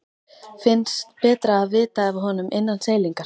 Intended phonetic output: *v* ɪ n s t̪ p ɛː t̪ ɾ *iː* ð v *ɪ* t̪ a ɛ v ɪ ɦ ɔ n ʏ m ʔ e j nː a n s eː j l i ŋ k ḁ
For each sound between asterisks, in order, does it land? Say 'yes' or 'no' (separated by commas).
no, no, no